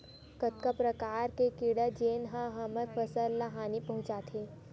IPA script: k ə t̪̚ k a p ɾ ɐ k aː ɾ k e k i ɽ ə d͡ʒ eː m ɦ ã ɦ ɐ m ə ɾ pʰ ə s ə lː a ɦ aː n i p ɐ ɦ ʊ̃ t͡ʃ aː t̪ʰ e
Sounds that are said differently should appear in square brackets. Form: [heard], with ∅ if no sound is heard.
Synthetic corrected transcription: k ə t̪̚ k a p ɾ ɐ k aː ɾ k e k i ɽ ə d͡ʒ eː [n] ɦ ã ɦ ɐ m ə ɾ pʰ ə s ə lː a ɦ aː n i p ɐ ɦ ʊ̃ t͡ʃ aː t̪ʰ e